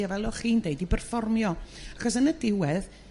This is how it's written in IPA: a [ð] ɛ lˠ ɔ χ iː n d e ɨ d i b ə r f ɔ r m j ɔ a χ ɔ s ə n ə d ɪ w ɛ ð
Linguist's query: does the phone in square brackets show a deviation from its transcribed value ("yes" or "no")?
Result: yes